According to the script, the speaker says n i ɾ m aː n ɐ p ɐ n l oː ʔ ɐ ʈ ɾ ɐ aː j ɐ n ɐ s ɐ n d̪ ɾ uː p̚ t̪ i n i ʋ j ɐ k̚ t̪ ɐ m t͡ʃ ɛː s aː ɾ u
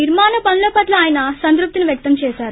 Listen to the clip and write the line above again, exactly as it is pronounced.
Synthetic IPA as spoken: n i ɾ m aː n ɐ p ɐ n l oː p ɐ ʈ l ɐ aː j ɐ n ɐ s ɐ n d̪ ɾ u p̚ t̪ i n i ʋ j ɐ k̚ t̪ ɐ m t͡ʃ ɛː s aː ɾ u